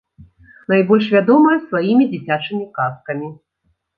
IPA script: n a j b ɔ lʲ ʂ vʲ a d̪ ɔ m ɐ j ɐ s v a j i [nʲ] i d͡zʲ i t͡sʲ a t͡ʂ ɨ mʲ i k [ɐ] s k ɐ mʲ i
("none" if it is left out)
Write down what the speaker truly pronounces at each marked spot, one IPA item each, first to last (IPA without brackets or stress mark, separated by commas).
mʲ, a